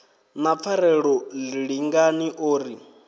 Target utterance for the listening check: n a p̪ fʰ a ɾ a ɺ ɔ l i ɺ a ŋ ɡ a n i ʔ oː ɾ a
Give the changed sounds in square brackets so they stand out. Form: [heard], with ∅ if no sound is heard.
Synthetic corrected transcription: n a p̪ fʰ a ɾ [ɛ] ɺ ɔ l i ɺ [i] ŋ ɡ a n i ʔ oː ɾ [i]